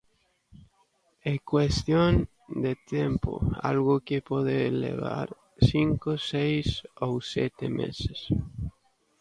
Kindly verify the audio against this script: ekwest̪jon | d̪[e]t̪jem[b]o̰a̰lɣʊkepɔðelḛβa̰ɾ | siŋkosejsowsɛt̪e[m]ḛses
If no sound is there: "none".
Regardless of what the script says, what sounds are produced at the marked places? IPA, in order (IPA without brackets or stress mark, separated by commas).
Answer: e, p, m